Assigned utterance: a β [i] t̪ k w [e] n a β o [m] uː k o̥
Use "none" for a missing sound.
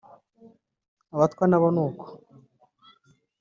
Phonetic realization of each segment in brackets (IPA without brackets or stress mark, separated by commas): a, a, n